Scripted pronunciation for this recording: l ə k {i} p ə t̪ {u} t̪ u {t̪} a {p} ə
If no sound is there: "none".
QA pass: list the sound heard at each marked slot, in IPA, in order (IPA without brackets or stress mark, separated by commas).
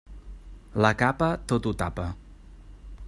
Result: a, o, t̪, p